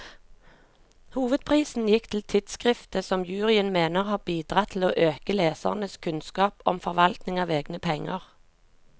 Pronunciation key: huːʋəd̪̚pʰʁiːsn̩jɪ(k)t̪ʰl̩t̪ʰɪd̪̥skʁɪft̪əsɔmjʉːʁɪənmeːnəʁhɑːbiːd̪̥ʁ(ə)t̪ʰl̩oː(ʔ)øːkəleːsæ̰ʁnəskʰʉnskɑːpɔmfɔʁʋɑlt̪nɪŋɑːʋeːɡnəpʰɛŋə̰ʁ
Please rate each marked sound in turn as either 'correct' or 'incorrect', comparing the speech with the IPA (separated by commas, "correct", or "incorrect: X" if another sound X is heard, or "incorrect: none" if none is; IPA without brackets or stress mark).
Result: correct, incorrect: ɑ, correct